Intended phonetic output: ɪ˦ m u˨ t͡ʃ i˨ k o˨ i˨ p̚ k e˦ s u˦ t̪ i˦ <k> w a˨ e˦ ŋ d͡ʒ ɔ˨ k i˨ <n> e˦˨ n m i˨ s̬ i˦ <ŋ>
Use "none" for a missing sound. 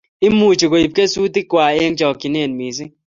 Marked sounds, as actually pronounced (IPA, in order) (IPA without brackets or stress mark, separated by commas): k, n, none